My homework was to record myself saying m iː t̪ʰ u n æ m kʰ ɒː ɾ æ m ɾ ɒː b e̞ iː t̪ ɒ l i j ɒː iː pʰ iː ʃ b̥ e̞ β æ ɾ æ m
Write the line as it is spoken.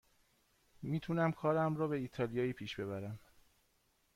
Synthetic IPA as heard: m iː t̪ʰ u n æ m kʰ ɒː ɾ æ m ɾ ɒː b e̞ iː t̪ʰ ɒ l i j ɒː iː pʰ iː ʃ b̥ e̞ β æ ɾ æ m